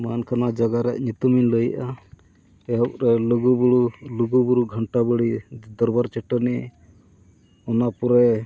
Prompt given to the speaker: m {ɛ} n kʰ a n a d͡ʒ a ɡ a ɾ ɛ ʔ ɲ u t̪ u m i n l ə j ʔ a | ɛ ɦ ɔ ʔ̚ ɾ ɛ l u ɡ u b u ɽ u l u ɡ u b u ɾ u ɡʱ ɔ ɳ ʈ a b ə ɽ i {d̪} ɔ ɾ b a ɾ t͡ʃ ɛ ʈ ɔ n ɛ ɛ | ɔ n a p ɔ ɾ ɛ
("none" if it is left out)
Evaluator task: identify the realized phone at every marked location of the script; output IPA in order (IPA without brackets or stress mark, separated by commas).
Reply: a, d̪